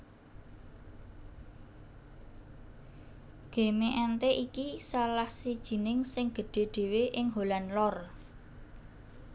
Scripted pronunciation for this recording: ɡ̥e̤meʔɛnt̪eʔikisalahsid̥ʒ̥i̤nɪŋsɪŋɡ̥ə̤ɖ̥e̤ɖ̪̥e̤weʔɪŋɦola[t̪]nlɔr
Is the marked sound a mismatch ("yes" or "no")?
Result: yes